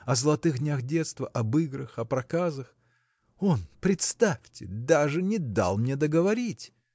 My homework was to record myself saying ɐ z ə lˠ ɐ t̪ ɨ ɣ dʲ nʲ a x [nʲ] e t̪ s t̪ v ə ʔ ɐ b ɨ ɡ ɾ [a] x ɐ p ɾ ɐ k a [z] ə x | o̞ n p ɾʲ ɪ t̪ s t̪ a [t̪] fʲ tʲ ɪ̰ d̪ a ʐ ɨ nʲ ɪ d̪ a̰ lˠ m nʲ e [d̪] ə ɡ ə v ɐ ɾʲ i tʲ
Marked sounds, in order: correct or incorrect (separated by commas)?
incorrect, incorrect, correct, incorrect, correct